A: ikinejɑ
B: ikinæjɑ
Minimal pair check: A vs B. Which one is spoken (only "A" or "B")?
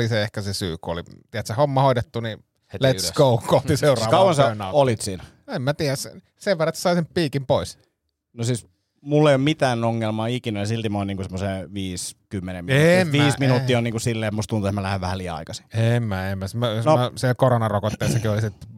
B